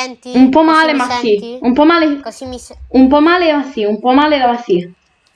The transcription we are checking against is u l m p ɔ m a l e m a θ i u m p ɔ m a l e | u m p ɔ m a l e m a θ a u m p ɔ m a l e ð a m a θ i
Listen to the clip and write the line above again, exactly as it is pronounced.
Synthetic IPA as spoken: u m p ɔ m a l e m a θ i u m p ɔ m a l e | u m p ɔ m a l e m a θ i u m p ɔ m a l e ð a m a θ i